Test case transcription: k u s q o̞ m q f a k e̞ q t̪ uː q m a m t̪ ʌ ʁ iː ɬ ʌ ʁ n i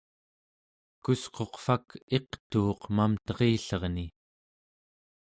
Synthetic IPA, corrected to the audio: k u s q o̞ q f a k e̞ q t̪ uː q m a m t̪ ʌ ʁ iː ɬ ʌ ʁ n i